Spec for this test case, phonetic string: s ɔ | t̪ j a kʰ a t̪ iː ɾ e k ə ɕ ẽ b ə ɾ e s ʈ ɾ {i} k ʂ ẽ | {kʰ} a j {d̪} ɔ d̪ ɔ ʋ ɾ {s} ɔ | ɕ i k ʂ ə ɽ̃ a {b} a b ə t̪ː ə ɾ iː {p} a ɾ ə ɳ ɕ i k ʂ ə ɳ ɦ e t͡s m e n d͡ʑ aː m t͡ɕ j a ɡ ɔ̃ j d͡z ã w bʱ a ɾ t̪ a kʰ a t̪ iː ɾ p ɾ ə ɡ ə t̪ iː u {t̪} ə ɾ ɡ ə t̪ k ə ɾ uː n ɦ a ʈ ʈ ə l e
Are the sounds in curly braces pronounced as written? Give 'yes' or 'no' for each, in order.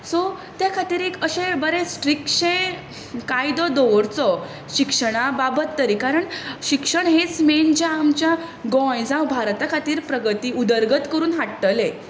yes, no, yes, no, yes, no, no

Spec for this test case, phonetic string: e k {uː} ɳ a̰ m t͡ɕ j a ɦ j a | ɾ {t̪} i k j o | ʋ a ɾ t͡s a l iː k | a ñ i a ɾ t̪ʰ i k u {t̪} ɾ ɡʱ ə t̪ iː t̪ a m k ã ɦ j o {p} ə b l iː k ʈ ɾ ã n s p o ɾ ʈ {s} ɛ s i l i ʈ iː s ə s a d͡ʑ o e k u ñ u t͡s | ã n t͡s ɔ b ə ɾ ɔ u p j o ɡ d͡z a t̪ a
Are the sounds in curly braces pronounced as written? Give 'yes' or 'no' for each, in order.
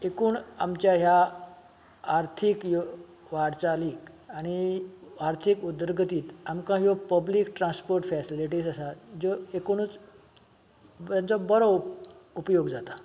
yes, no, no, yes, no

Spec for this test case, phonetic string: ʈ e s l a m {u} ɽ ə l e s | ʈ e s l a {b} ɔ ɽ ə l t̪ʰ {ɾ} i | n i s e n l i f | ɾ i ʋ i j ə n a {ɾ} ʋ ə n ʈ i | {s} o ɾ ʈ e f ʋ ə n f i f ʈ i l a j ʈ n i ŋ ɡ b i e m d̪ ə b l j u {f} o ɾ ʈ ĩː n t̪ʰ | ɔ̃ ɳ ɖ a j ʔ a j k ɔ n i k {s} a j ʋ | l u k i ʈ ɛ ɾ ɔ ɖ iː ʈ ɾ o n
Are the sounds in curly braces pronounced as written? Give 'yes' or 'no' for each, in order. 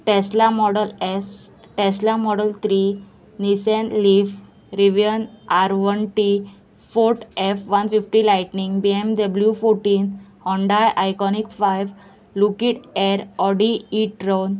no, no, yes, yes, no, yes, no

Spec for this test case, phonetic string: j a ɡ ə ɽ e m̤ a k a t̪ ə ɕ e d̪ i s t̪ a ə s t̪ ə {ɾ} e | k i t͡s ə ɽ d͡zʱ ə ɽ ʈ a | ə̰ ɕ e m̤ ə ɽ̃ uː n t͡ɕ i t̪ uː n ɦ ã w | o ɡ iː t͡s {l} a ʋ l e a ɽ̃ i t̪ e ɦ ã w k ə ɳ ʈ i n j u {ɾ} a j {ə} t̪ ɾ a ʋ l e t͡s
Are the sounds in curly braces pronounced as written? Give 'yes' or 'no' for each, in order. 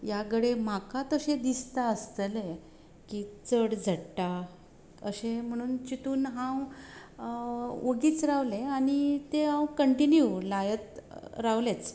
no, no, no, yes

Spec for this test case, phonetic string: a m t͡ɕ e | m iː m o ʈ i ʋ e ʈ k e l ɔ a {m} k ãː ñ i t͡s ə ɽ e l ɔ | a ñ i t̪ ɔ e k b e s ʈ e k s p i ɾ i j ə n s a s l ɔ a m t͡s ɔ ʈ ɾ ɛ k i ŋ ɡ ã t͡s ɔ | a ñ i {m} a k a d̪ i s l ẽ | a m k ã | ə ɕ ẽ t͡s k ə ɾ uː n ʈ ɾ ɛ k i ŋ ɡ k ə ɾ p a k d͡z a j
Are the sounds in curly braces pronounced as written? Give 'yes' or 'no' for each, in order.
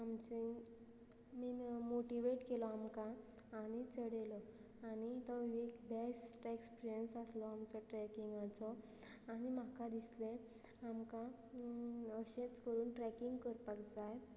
yes, yes

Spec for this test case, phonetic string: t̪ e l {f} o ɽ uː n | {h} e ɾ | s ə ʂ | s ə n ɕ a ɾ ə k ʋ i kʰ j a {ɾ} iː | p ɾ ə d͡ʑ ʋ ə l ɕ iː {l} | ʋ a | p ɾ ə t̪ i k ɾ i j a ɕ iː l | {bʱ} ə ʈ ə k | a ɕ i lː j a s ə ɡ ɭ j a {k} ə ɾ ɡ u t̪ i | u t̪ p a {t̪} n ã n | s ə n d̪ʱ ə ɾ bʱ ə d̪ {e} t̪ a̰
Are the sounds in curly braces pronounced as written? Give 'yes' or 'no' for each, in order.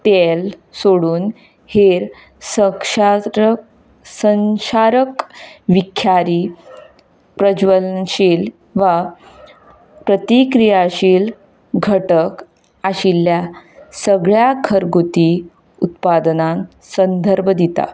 no, yes, yes, yes, no, no, no, no

